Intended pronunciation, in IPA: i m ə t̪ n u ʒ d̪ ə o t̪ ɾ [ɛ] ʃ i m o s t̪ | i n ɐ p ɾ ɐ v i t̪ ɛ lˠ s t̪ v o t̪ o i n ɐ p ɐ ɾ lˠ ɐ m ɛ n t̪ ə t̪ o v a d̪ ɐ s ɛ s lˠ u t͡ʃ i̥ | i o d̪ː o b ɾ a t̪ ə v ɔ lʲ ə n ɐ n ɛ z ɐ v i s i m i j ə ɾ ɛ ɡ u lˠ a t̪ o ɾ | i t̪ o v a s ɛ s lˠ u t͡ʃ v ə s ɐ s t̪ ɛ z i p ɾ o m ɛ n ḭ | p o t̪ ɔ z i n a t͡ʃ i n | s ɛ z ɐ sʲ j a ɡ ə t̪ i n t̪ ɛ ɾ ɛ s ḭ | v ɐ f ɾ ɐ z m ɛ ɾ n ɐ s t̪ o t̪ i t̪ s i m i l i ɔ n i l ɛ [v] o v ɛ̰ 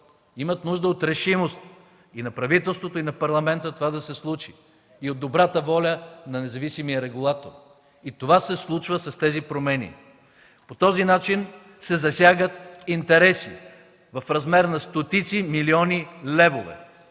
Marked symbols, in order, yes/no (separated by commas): yes, yes